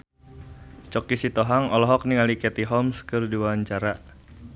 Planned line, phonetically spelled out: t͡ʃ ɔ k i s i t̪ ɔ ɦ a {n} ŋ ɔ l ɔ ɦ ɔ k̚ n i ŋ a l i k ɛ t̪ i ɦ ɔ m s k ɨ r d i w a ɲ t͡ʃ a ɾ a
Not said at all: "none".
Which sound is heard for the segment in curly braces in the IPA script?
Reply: none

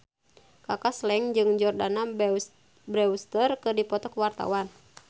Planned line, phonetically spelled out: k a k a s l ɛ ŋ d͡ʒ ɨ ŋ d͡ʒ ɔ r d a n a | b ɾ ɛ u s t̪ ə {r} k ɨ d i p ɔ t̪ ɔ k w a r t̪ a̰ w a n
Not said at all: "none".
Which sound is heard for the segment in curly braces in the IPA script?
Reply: r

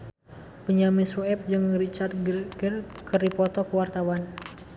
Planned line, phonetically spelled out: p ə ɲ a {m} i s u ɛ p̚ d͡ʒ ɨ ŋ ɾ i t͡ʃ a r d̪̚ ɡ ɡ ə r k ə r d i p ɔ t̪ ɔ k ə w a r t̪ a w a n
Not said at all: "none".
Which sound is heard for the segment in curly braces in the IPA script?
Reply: m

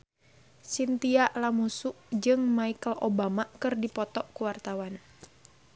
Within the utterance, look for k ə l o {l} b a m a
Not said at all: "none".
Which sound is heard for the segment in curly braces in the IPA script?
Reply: none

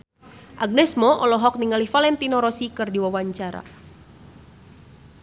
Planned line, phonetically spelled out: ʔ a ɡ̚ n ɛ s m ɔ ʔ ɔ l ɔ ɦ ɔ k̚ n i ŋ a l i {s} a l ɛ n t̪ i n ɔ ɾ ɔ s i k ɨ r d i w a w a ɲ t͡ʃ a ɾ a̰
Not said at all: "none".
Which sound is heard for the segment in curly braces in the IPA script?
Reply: f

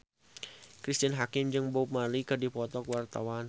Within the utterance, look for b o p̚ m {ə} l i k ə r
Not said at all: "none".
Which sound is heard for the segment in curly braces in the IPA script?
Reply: a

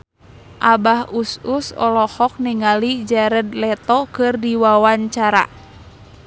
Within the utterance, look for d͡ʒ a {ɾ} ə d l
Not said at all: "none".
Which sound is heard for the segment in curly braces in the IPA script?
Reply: ɾ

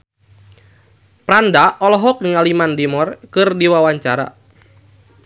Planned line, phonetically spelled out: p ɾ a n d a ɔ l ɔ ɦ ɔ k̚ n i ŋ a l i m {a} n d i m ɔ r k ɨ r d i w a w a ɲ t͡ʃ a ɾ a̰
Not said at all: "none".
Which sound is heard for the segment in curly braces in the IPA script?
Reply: a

